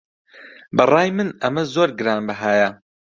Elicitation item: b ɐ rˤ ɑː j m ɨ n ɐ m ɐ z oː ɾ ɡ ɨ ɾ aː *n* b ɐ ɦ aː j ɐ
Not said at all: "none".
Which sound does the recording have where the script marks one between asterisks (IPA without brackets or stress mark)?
n